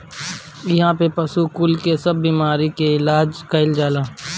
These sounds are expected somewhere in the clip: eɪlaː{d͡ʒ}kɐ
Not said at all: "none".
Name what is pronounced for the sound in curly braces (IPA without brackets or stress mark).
d͡ʒ